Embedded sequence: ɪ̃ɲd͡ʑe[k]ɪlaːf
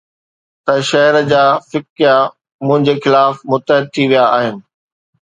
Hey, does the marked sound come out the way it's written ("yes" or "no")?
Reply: no